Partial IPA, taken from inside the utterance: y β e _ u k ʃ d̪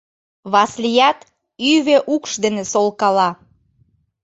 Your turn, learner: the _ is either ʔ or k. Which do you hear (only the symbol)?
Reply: ʔ